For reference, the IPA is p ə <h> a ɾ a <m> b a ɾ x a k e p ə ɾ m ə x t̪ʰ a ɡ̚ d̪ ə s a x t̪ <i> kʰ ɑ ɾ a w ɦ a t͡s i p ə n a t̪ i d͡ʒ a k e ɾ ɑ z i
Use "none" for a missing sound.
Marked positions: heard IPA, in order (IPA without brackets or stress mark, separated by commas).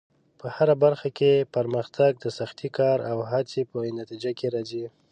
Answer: h, none, i